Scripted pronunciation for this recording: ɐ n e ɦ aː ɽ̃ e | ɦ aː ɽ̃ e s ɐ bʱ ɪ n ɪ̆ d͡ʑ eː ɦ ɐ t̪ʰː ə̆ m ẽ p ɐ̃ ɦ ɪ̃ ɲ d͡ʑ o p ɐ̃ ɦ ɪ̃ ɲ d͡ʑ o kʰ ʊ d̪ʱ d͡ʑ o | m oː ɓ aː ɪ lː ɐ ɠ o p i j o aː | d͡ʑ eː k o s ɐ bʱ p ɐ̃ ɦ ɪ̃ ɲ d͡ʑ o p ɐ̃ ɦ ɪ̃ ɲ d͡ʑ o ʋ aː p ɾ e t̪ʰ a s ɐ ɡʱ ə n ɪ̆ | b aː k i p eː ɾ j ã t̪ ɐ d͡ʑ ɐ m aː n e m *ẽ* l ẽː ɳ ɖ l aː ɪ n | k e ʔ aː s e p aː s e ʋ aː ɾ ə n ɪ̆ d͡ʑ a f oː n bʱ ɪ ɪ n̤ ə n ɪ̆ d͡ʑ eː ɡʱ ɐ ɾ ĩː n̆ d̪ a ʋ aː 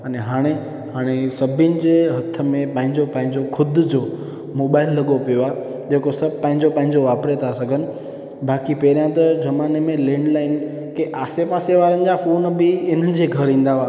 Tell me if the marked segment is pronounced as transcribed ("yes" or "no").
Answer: yes